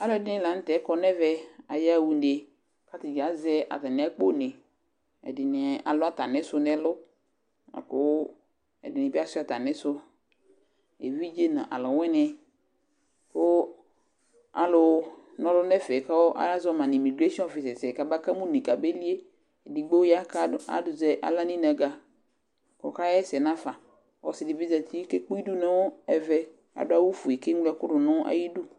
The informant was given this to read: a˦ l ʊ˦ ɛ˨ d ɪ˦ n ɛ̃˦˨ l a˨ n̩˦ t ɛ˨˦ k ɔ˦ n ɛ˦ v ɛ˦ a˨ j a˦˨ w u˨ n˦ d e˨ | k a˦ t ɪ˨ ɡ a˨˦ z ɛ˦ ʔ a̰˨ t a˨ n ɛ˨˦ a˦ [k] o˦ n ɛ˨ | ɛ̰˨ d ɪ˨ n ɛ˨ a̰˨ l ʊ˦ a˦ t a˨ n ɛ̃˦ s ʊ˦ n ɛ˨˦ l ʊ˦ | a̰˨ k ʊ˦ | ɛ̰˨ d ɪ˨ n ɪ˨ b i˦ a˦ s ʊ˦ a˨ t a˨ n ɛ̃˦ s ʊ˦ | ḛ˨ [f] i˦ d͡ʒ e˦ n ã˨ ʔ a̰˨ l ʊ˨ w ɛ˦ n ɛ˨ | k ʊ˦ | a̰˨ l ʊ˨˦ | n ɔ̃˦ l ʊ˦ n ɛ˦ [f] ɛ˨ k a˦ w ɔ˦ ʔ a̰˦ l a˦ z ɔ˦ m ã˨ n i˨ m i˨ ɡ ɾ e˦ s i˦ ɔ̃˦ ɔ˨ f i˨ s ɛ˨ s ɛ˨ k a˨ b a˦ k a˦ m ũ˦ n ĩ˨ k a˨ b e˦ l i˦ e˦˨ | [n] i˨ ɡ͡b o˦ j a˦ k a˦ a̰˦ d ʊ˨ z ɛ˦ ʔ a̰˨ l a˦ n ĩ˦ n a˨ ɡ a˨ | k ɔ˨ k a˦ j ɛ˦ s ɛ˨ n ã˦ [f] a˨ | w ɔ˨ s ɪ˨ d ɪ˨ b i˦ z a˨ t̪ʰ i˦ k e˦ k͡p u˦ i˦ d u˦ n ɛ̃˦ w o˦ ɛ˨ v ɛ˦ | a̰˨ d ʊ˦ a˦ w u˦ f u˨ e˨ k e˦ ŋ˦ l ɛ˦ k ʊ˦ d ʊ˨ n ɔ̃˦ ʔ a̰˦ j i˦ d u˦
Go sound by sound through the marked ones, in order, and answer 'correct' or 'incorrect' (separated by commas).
incorrect, incorrect, correct, incorrect, correct